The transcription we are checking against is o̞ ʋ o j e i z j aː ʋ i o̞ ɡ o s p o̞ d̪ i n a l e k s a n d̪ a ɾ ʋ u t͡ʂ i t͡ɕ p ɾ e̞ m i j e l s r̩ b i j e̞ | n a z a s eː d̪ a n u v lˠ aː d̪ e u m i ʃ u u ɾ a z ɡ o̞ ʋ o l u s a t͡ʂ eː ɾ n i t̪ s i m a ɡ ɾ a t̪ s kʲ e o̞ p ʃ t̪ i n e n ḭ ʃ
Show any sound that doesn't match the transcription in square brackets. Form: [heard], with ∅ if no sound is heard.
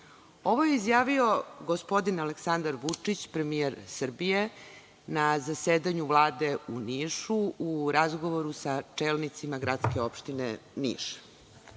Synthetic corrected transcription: o̞ ʋ o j e i z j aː ʋ i o̞ ɡ o s p o̞ d̪ i n a l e k s a n d̪ a ɾ ʋ u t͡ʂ i t͡ɕ p ɾ e̞ m i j e [ɾ] s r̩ b i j e̞ | n a z a s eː d̪ a [ɲ] u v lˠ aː d̪ e u [n] i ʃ u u ɾ a z ɡ o̞ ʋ o [ɾ] u s a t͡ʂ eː [l] n i t̪ s i m a ɡ ɾ a t̪ s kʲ e o̞ p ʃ t̪ i n e n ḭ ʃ